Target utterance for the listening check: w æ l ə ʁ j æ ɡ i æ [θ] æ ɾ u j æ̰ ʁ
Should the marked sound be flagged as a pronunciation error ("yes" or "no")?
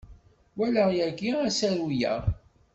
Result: yes